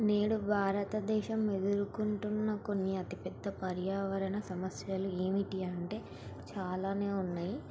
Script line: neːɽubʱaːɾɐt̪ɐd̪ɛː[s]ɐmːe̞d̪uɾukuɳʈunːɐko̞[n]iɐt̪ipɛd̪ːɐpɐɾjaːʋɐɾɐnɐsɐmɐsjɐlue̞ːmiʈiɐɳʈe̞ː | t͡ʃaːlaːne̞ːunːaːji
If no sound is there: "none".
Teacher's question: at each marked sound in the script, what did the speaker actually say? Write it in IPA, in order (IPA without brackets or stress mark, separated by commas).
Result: ʃ, nː